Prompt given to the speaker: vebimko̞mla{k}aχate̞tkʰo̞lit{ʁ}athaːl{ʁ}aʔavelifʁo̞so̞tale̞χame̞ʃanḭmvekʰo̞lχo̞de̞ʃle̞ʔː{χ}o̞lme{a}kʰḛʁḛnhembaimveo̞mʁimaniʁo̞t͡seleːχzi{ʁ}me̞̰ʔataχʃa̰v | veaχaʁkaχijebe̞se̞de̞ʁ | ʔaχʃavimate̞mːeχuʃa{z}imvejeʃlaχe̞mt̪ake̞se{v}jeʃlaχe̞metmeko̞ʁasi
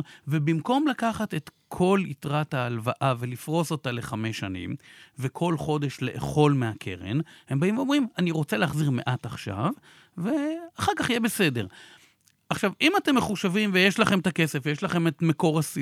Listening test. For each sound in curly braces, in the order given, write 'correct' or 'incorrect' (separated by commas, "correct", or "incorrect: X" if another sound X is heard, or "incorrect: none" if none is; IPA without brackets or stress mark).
correct, correct, incorrect: v, correct, correct, correct, incorrect: v, incorrect: f